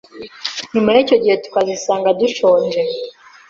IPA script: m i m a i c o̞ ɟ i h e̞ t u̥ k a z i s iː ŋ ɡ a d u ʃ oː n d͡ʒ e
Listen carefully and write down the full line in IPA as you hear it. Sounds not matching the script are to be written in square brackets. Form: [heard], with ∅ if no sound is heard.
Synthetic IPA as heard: [n] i m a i c o̞ ɟ i h e̞ t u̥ k a z i s [aː] ŋ ɡ a d u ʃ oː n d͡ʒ e